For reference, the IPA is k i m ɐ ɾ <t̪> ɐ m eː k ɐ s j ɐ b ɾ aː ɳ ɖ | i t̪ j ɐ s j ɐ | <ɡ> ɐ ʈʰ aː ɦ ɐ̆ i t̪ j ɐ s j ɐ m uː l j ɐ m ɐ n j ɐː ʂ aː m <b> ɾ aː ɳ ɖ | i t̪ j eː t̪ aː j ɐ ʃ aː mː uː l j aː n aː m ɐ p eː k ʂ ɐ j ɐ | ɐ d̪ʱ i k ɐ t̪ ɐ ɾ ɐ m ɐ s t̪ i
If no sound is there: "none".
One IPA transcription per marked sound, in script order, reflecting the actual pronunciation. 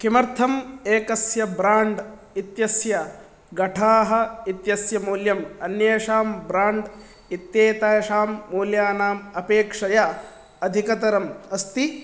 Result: t̪ʰ, ɡ, b

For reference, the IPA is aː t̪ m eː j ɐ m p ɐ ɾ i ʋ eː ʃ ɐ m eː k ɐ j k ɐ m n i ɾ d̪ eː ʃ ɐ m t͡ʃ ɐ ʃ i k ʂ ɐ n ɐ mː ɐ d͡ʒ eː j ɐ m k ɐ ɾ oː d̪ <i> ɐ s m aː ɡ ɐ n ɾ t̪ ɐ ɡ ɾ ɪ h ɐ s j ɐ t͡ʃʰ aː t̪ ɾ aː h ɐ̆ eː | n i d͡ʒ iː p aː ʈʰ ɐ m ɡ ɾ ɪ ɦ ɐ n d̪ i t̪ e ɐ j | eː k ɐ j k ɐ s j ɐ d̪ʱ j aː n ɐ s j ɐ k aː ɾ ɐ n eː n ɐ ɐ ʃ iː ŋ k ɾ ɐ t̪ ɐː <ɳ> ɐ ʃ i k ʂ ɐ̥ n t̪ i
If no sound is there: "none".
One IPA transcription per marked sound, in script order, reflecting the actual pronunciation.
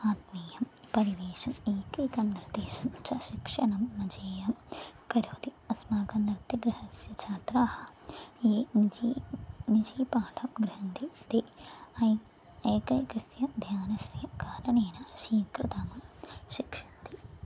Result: i, m

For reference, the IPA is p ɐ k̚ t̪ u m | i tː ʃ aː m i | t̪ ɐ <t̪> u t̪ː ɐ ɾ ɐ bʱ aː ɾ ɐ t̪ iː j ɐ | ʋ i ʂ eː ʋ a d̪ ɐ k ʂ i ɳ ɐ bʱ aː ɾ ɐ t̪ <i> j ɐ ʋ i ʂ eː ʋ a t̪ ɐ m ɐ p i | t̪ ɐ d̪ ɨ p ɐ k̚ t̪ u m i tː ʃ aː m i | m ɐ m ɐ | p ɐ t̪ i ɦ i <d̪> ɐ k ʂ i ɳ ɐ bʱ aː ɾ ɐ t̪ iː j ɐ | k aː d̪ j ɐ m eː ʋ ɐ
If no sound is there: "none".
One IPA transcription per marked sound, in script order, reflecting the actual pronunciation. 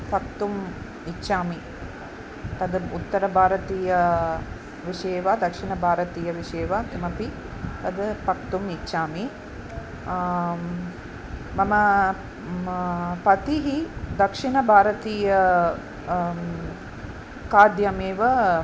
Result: d̪, iː, d̪

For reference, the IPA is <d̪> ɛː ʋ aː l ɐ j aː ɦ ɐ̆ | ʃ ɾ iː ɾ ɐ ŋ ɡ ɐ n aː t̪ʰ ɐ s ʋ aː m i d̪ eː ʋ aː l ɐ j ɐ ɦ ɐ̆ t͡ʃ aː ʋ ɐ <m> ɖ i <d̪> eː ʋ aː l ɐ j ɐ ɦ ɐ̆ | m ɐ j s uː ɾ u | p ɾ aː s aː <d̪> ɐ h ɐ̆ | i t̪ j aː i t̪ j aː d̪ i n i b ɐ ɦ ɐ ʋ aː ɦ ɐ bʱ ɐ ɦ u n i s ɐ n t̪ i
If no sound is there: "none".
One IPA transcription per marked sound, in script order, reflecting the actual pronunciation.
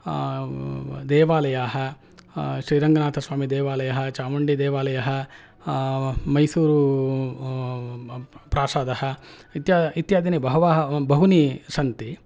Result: d̪, ɳ, d̪, d̪

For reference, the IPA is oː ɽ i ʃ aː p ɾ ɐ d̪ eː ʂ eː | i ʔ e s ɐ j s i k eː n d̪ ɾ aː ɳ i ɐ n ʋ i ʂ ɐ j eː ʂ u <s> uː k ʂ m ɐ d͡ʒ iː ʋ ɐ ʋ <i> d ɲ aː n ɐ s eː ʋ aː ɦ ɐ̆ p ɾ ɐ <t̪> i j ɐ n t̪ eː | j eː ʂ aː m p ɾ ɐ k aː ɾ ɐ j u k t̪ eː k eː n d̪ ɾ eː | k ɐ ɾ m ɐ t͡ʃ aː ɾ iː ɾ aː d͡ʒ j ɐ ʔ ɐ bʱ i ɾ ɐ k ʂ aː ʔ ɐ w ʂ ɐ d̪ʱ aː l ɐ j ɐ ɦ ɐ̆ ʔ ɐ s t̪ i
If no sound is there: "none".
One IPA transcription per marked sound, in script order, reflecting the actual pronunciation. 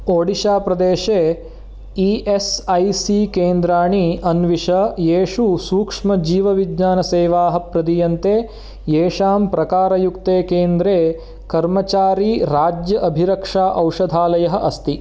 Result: s, i, d̪

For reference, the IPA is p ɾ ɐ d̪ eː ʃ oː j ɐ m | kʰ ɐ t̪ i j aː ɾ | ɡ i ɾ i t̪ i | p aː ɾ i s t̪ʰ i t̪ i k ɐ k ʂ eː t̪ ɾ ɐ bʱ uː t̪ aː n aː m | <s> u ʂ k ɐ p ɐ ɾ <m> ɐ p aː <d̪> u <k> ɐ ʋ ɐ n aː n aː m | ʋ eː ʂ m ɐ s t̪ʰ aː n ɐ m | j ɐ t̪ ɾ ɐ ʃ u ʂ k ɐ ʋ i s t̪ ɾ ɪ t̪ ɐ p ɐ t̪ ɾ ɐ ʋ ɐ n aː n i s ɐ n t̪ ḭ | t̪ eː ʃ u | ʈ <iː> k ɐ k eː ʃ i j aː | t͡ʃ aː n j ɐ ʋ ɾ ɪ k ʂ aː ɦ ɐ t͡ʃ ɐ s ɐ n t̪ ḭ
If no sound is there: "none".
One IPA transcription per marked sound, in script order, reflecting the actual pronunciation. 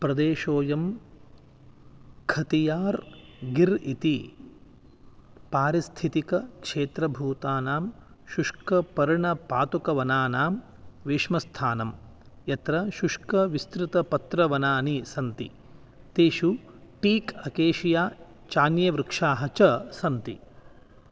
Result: ʃ, ɳ, t̪, k, iː

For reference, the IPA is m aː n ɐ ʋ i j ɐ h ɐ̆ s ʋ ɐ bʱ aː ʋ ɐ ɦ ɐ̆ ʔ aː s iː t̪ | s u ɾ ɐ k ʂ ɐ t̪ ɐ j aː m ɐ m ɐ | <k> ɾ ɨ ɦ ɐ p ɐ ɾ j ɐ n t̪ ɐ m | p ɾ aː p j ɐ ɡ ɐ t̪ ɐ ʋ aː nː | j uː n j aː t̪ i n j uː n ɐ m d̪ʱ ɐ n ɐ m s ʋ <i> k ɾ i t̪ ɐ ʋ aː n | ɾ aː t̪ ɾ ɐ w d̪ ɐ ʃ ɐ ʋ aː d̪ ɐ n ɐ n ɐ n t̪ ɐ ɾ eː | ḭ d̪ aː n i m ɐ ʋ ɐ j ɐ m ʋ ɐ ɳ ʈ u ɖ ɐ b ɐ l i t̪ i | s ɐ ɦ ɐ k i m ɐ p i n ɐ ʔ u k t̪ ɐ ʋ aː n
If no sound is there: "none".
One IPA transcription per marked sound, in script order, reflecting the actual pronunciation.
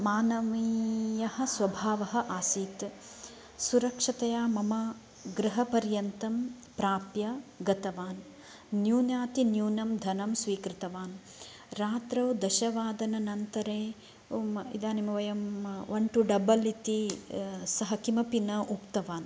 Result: ɡ, iː

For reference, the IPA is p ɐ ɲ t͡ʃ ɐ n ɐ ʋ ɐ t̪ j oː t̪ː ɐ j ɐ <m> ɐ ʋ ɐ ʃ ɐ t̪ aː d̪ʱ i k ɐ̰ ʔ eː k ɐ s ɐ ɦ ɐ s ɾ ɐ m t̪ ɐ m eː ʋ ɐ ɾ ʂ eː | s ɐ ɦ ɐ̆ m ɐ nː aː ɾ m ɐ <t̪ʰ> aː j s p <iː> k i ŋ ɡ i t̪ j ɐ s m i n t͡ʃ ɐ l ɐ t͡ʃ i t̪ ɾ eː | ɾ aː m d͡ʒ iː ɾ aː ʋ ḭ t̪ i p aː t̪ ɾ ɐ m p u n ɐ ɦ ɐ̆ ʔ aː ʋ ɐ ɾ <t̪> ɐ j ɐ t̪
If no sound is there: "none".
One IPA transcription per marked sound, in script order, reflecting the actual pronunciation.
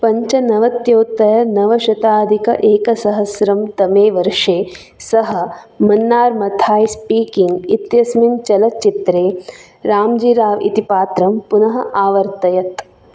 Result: n, t̪ʰ, iː, t̪

